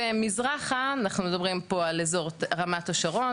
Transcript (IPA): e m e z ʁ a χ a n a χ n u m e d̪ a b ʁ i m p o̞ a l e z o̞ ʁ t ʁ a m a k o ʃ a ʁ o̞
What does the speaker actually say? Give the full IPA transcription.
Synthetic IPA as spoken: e m i z ʁ a χ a n a χ n u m e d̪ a b ʁ i m p o̞ a l e z o̞ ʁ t ʁ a m a t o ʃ a ʁ o̞